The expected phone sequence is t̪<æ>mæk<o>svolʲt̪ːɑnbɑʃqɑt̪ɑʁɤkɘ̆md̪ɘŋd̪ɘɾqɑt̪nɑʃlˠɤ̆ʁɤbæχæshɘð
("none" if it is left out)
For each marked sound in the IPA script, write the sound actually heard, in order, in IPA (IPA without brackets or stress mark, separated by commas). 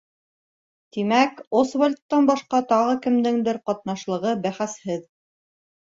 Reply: i, o